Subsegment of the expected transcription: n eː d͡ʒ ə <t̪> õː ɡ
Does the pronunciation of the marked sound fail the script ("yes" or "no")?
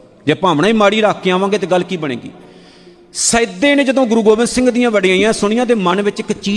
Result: yes